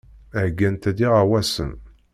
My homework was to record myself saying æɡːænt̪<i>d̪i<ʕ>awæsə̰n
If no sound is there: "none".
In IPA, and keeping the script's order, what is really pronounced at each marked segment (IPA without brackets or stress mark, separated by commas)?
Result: æ, ʁ